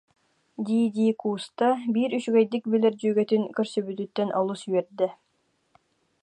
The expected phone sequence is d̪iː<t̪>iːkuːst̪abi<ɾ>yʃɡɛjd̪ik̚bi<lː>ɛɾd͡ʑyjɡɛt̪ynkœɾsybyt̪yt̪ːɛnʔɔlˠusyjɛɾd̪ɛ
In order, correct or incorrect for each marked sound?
incorrect, correct, incorrect

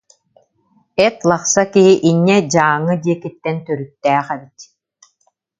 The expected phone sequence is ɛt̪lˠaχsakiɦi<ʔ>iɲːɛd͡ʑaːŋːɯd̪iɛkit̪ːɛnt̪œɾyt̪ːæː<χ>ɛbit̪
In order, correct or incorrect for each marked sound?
correct, correct

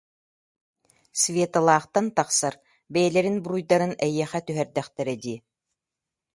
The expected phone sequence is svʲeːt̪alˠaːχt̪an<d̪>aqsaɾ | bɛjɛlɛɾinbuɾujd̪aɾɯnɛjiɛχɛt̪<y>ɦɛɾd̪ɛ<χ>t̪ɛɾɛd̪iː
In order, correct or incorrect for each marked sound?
incorrect, correct, correct

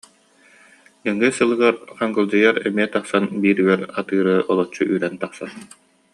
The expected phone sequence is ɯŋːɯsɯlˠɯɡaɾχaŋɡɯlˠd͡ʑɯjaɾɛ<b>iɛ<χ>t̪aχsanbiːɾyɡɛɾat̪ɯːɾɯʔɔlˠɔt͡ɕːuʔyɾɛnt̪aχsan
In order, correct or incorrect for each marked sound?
incorrect, incorrect

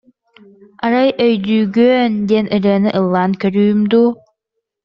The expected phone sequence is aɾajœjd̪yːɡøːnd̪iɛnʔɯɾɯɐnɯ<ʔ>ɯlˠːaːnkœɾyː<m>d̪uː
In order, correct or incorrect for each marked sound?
correct, correct

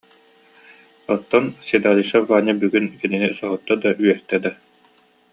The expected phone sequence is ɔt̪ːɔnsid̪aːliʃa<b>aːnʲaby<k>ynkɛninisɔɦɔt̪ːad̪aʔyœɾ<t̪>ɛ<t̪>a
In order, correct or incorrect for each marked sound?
incorrect, incorrect, correct, incorrect

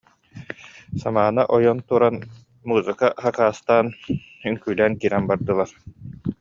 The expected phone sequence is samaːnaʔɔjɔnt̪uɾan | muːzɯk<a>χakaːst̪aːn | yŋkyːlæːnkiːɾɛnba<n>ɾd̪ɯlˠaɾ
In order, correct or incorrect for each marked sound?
correct, incorrect

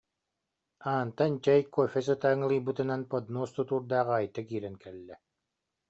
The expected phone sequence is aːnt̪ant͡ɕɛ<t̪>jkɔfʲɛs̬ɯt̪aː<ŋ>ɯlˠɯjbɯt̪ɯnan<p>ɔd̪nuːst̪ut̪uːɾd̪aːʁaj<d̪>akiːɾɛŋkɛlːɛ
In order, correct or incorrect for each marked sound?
incorrect, correct, correct, incorrect

